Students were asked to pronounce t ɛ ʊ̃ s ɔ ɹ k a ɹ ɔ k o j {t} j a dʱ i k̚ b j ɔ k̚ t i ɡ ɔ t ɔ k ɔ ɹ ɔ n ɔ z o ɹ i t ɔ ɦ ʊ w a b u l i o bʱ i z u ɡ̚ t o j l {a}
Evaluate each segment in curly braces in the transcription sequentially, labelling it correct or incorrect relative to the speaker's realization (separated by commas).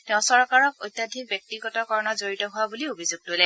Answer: correct, incorrect